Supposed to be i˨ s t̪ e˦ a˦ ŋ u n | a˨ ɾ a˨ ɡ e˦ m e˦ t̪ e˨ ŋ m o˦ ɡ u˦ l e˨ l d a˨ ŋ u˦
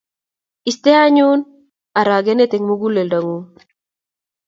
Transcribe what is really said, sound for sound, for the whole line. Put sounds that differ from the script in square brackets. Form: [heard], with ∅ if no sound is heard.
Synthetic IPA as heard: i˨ s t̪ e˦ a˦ [ɲ] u n | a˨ ɾ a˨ ɡ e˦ [n] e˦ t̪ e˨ ŋ m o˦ ɡ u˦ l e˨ l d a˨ ŋ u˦